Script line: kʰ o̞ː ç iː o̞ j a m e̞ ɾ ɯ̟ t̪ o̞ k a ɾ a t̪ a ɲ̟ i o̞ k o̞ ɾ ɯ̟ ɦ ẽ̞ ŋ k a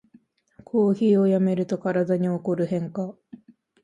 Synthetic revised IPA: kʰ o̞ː ç iː o̞ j a m e̞ ɾ ɯ̟ t̪ o̞ k a ɾ a d̪ a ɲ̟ i o̞ k o̞ ɾ ɯ̟ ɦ ẽ̞ ŋ k a